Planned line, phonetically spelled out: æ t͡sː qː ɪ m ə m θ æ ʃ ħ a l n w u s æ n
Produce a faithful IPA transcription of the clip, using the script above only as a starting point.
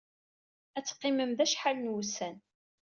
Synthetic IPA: æ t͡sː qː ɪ m ə m ð æ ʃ ħ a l n w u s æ n